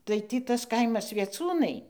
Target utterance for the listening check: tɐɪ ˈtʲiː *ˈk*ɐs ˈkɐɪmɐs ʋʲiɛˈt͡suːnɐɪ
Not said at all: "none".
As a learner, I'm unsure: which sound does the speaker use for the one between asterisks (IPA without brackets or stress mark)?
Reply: t